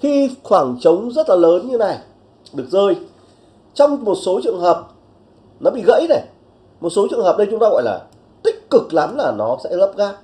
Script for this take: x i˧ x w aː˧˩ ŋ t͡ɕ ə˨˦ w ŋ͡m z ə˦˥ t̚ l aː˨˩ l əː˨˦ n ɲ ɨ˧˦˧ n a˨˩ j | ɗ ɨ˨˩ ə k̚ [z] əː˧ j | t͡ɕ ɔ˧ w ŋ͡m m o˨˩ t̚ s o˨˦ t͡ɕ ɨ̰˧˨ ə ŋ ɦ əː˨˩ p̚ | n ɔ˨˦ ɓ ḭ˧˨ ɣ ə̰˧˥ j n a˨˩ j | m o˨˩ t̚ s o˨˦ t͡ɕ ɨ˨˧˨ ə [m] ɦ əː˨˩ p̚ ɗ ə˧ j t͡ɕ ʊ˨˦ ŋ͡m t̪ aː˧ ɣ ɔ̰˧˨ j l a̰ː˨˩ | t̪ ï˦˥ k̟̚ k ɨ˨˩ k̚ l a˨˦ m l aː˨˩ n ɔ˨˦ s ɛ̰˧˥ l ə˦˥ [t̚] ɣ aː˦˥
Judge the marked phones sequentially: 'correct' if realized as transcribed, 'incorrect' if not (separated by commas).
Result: correct, incorrect, incorrect